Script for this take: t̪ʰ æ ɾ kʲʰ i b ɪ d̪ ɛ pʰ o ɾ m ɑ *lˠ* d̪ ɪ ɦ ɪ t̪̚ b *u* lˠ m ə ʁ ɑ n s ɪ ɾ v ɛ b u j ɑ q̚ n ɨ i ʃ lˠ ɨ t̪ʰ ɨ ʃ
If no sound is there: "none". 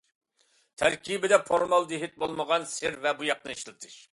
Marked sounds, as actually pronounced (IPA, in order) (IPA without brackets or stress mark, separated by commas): lˠ, o